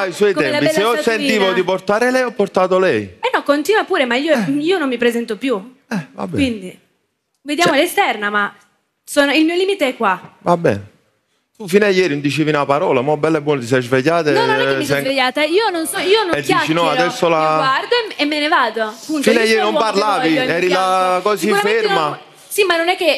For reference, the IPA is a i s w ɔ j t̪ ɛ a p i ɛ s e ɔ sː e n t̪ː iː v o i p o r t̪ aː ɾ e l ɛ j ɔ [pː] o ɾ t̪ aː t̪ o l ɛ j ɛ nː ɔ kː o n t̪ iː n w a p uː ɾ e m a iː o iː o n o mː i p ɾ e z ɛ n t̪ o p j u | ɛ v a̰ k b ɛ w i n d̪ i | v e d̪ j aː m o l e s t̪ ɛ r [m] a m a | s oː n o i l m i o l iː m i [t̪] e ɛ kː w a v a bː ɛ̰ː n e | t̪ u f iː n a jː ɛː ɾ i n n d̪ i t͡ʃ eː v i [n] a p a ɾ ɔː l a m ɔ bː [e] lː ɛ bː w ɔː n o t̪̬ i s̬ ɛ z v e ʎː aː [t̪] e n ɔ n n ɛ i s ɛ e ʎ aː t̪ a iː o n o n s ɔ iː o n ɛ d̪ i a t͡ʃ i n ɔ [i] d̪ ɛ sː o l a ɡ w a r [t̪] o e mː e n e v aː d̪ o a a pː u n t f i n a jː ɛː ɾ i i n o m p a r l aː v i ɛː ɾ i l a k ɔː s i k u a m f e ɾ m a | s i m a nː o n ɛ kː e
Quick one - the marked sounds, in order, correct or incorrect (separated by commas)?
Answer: correct, incorrect, correct, correct, incorrect, correct, incorrect, incorrect